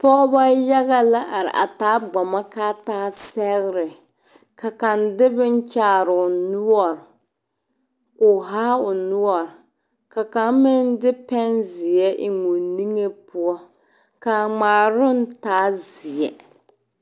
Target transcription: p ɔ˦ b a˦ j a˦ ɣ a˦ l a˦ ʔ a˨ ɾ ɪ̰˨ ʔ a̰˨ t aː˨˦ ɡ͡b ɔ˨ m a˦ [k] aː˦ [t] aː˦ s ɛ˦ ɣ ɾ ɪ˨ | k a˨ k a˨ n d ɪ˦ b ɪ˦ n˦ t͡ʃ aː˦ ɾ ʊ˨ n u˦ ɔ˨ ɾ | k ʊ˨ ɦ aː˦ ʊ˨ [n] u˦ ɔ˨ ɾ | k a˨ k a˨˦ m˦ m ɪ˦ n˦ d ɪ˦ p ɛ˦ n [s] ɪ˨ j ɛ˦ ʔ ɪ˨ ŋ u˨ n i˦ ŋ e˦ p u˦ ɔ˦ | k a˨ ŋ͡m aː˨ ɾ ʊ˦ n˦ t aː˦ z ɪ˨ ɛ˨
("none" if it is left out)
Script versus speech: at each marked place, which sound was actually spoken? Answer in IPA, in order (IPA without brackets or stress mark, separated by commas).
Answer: k, t, n, z